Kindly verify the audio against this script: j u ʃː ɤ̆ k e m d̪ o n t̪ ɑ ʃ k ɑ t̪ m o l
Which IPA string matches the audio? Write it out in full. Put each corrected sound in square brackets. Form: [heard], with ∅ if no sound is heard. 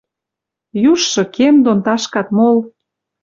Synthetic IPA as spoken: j u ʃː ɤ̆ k e m d̪ o n t̪ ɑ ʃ k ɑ t̪ m o l